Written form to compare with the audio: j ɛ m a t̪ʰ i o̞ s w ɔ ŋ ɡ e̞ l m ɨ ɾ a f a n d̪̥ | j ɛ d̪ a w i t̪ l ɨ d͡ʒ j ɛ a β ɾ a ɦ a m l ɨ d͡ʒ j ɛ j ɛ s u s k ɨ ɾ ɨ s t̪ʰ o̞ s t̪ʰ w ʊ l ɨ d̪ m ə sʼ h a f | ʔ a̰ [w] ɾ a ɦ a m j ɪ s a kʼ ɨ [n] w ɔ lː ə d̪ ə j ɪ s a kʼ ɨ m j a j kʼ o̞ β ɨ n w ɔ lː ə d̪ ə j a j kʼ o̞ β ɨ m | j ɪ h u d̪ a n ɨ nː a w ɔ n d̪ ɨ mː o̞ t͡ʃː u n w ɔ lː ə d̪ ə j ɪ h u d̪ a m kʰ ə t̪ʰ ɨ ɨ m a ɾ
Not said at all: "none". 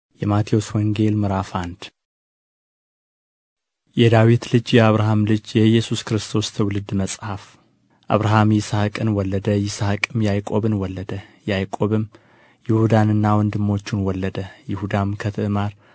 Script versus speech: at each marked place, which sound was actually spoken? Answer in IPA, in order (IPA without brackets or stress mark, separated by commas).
β, n